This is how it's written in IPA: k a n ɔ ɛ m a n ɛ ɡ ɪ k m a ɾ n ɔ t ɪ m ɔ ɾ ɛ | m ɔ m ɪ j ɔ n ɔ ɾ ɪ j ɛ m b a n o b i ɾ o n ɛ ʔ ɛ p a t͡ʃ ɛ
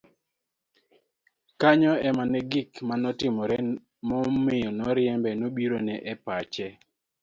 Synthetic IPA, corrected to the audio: k a ɲ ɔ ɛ m a n ɛ ɡ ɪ k m a n ɔ t ɪ m ɔ ɾ ɛ | m ɔ m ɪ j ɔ n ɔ ɾ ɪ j ɛ m b ɛ n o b i ɾ o n ɛ ʔ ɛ p a t͡ʃ ɛ